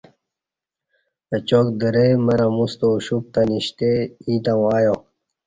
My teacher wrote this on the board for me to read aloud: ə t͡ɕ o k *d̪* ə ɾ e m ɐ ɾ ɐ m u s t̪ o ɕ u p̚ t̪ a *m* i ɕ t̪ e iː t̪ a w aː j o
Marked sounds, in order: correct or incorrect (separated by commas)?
correct, incorrect